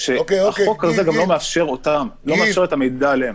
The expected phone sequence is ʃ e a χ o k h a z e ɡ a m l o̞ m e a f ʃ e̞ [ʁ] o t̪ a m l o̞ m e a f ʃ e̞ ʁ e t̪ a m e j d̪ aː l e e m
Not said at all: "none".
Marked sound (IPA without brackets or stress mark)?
ʁ